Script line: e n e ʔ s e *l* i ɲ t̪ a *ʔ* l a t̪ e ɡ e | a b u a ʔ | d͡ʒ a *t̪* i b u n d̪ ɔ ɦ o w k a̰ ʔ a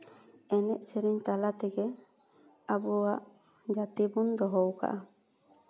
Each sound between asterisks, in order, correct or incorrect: incorrect: ɾ, incorrect: none, correct

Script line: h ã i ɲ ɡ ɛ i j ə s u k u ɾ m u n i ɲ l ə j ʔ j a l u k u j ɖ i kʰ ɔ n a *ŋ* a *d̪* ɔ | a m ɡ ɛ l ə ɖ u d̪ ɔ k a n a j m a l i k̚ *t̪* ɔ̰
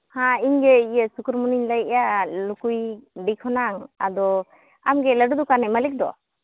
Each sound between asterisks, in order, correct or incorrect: correct, correct, incorrect: d̪

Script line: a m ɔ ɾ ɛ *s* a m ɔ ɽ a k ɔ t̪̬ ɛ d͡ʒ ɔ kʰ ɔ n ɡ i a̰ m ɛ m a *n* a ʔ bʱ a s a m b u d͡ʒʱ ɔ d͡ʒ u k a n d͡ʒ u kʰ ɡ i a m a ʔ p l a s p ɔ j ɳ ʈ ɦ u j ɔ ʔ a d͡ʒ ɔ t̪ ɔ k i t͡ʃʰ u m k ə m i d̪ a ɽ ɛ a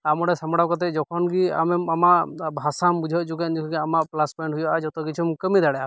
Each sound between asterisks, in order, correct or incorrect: correct, incorrect: m

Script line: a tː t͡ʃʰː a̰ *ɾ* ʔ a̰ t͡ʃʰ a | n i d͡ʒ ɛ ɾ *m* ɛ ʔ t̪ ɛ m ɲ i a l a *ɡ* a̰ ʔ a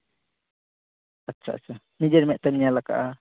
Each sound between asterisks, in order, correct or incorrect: incorrect: none, correct, incorrect: k

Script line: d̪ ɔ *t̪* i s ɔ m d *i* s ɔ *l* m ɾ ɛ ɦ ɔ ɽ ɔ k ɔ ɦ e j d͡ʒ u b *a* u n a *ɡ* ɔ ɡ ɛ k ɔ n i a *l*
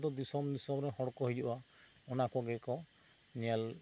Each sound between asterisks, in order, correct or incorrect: incorrect: d̪, correct, incorrect: none, correct, incorrect: k, correct

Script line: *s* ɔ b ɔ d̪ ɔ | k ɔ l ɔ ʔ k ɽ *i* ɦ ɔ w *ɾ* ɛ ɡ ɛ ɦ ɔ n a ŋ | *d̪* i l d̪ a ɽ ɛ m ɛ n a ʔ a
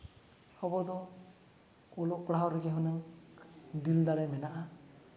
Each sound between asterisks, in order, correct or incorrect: incorrect: h, incorrect: a, correct, correct

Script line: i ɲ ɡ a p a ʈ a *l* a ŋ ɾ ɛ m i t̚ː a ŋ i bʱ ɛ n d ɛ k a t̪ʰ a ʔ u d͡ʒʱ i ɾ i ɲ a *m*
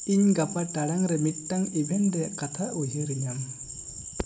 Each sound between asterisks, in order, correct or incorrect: incorrect: ɽ, correct

